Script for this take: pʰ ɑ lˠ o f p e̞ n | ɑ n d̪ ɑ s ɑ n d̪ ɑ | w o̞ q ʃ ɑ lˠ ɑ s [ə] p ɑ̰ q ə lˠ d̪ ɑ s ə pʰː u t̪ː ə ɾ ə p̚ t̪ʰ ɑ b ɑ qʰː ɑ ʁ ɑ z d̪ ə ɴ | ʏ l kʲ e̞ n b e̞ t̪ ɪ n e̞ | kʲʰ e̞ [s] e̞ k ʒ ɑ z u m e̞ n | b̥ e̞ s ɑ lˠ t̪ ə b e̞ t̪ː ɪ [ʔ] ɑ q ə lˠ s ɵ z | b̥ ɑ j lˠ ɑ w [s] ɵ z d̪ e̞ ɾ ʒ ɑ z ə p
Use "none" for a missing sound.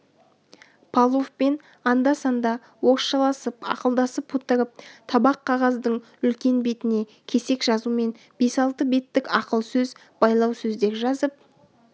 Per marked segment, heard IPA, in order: ə, s, k, s

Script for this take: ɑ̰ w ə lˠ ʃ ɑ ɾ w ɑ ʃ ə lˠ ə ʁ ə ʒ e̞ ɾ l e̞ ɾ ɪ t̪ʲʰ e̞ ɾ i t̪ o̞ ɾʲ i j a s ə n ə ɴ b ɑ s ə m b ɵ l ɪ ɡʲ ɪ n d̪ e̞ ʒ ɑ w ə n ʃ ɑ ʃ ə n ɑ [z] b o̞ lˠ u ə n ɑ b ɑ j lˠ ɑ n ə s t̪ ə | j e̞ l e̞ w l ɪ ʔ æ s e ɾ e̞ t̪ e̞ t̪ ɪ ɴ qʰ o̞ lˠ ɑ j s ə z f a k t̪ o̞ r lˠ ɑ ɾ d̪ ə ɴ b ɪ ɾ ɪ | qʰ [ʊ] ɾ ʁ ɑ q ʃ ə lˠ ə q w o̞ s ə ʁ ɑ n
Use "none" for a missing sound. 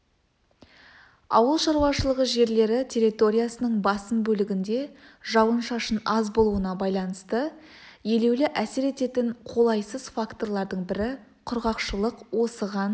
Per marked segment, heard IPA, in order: z, ʊ

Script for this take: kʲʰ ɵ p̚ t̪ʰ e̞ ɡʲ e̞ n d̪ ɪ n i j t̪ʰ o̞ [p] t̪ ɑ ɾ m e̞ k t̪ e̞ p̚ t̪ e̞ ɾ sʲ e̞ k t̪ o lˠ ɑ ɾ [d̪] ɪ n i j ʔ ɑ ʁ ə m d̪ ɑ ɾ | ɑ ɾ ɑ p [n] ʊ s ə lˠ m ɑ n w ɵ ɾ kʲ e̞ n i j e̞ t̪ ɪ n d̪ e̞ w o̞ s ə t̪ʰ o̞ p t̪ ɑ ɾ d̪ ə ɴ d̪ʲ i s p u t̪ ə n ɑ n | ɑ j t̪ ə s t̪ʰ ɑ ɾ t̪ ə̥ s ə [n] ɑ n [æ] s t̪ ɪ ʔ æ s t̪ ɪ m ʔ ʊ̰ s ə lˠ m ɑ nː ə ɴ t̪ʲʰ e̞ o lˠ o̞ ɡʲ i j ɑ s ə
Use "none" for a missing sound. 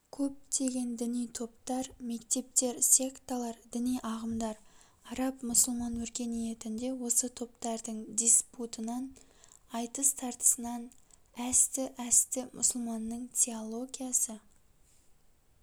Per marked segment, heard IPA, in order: p, d̪, m, n, æ

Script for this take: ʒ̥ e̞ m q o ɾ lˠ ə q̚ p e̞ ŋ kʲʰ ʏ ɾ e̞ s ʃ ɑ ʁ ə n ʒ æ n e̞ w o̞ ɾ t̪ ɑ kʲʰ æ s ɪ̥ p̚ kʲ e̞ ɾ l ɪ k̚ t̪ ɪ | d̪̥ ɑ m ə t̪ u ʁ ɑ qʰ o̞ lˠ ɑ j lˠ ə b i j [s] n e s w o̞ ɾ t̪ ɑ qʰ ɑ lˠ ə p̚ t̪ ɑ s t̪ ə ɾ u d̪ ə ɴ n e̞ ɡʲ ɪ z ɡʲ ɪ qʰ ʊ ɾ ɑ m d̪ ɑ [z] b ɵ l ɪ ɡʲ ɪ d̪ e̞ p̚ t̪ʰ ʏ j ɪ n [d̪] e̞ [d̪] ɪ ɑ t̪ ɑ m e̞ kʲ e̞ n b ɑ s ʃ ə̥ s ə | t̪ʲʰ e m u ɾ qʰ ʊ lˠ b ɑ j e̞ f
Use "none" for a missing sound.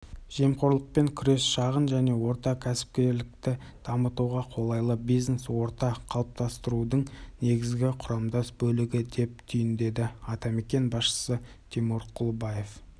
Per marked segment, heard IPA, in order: z, s, d̪, d̪

